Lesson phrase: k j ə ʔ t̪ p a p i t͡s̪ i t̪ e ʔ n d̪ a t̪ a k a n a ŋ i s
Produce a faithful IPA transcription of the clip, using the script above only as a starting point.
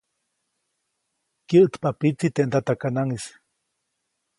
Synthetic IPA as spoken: k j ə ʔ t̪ p a p i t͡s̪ i t̪ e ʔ n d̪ a t̪ a k a n a ŋ i s